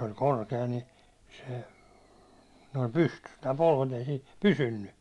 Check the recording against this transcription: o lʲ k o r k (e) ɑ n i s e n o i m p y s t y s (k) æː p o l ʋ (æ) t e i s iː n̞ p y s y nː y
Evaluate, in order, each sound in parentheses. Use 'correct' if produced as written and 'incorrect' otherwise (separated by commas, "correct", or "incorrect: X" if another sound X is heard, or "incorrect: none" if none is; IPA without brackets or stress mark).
correct, incorrect: t, incorrect: e